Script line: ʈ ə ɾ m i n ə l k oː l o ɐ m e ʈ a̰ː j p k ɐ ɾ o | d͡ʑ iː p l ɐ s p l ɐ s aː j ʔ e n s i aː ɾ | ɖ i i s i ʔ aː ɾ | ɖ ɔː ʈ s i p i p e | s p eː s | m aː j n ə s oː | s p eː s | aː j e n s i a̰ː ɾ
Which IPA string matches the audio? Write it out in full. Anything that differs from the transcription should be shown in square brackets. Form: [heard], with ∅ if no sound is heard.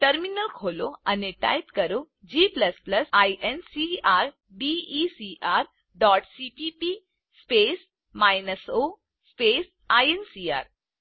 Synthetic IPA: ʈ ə ɾ m i n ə l [kʰ] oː l o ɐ [n] e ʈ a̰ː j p k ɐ ɾ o | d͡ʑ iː p l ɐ s p l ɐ s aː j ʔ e n s i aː ɾ | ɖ i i s i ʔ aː ɾ | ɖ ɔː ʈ s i p i p [i] | s p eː s | m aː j n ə s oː | s p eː s | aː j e n s i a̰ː ɾ